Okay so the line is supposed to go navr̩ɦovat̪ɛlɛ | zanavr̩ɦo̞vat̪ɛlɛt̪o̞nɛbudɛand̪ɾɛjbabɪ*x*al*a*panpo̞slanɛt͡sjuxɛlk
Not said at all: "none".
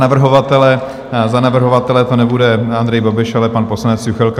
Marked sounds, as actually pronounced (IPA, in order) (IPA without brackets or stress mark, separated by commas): ʃ, ɛ